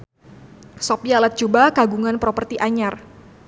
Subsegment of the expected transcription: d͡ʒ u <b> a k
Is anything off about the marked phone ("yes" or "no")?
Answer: no